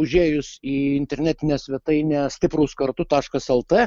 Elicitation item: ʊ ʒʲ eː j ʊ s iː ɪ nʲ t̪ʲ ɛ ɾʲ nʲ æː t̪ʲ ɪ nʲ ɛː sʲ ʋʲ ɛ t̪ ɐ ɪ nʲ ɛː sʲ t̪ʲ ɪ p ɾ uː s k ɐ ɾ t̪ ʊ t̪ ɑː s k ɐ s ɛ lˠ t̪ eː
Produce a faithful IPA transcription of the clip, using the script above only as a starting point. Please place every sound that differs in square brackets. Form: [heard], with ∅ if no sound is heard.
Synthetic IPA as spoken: ʊ ʒʲ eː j ʊ s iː ɪ nʲ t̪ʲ ɛ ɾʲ nʲ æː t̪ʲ ɪ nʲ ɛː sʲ ʋʲ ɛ t̪ ɐ ɪ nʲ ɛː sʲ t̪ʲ ɪ p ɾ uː s k ɐ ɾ t̪ ʊ t̪ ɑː [ʃ] k ɐ s ɛ lˠ t̪ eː